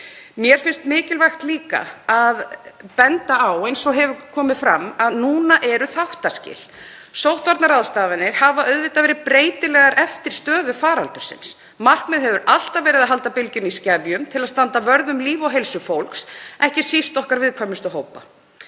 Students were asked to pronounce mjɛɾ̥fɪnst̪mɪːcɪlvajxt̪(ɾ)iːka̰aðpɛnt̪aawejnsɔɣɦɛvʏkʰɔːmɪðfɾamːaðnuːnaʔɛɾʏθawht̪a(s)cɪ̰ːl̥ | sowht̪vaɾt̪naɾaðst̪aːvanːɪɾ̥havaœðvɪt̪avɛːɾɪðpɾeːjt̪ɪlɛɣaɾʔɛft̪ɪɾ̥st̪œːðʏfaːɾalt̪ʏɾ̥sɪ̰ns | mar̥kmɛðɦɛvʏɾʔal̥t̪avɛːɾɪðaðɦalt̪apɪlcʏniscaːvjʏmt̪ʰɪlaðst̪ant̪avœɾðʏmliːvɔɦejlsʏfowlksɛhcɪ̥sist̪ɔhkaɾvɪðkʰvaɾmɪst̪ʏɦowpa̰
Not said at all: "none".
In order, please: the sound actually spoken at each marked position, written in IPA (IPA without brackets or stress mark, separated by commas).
l, s